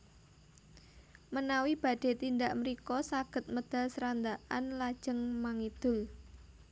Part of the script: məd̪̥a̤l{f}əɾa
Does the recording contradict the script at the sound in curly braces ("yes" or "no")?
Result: yes